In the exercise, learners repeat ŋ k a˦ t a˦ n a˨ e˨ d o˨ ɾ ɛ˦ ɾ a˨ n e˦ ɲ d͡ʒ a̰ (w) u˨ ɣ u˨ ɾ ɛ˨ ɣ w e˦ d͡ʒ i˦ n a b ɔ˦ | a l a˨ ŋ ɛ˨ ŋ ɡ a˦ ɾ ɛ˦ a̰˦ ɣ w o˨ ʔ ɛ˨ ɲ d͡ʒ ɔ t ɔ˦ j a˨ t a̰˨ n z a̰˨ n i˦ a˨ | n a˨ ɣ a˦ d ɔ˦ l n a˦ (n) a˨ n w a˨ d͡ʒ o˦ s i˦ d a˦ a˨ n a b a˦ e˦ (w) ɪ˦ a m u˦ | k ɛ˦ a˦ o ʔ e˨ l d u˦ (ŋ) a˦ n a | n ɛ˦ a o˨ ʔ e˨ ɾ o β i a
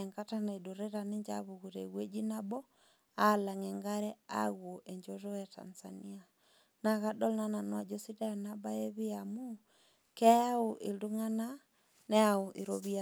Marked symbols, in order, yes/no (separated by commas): no, yes, no, yes